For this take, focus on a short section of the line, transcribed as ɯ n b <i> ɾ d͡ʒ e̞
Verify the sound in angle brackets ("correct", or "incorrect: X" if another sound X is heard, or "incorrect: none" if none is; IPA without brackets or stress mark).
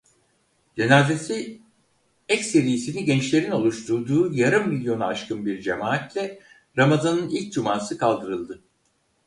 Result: correct